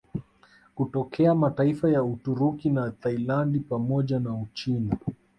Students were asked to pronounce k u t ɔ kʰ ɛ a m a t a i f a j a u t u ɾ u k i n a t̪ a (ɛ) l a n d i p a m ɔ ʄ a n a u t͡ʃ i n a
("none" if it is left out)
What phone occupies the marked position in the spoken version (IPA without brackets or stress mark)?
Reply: i